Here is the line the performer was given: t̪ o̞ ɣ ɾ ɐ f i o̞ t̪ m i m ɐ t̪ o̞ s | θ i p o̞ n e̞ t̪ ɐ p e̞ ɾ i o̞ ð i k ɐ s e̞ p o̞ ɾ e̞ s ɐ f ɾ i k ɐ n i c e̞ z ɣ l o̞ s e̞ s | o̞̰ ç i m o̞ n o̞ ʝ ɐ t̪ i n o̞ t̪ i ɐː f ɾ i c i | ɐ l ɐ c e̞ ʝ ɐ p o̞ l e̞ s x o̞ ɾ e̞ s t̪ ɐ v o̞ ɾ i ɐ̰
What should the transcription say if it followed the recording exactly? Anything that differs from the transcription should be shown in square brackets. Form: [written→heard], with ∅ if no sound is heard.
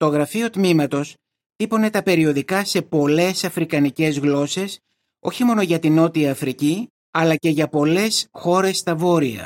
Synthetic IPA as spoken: t̪ o̞ ɣ ɾ ɐ f i o̞ t̪ m i m ɐ t̪ o̞ s | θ i p o̞ n e̞ t̪ ɐ p e̞ ɾ i o̞ ð i k ɐ s e̞ p o̞ [ɾ→l] e̞ s ɐ f ɾ i k ɐ n i c e̞ z ɣ l o̞ s e̞ s | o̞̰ ç i m o̞ n o̞ ʝ ɐ t̪ i n o̞ t̪ i ɐː f ɾ i c i | ɐ l ɐ c e̞ ʝ ɐ p o̞ l e̞ s x o̞ ɾ e̞ s t̪ ɐ v o̞ ɾ i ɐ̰